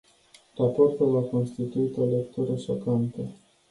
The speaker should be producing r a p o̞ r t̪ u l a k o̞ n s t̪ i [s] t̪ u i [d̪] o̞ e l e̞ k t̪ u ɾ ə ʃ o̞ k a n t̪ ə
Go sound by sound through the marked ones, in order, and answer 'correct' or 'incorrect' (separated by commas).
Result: incorrect, incorrect